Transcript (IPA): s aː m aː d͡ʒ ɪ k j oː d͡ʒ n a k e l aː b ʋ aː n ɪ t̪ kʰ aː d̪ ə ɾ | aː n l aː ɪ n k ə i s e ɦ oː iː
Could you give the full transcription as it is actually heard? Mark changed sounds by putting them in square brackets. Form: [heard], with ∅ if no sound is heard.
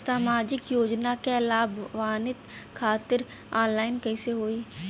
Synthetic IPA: s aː m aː d͡ʒ ɪ k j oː d͡ʒ n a k e l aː b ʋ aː n ɪ t̪ kʰ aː [t̪] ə ɾ | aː n l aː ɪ n k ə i s e ɦ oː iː